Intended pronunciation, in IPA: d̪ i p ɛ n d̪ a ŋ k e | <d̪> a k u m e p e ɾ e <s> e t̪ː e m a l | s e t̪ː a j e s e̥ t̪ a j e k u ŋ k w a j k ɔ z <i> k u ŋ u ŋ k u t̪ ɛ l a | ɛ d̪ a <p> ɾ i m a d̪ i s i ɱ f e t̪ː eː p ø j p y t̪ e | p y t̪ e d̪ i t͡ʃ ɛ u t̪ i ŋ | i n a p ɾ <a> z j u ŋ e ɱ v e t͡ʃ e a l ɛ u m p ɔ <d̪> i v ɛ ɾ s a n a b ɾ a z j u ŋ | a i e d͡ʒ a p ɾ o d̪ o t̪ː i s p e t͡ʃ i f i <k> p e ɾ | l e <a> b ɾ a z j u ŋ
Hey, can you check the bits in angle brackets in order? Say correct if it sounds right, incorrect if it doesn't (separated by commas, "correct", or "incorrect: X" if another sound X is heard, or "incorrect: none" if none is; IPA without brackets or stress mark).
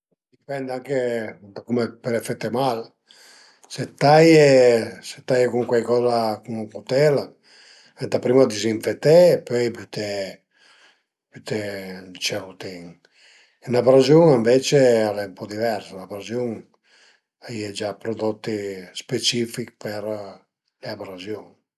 correct, incorrect: f, incorrect: a, correct, correct, correct, correct, correct